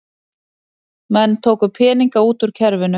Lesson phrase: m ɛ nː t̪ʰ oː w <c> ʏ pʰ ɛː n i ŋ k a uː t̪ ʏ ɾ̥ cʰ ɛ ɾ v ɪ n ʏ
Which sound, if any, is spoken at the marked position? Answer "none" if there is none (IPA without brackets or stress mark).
k